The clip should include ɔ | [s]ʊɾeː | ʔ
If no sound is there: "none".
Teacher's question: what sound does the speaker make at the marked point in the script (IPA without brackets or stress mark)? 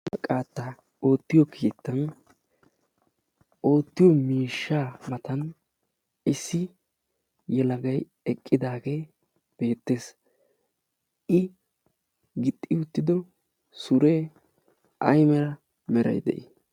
s